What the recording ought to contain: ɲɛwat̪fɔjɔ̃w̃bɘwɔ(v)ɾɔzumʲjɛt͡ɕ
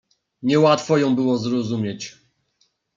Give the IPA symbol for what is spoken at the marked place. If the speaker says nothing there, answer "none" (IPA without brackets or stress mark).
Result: z